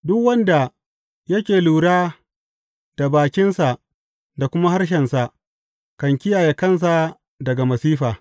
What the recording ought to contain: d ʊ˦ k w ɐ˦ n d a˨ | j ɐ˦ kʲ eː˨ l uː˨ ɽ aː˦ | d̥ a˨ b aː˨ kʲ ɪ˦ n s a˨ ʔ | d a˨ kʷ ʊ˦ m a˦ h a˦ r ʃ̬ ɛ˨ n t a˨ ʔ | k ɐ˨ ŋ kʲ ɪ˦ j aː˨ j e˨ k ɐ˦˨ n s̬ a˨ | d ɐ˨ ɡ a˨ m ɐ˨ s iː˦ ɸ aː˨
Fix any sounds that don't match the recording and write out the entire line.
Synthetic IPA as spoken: d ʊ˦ k w ɐ˦ n d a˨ | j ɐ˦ kʲ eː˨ l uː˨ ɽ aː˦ | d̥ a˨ b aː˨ kʲ ɪ˦ n s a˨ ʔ | d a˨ kʷ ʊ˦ m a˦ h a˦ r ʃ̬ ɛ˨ n s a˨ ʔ | k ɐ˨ ŋ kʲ ɪ˦ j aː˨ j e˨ k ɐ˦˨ n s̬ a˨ | d ɐ˨ ɡ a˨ m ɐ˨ s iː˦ ɸ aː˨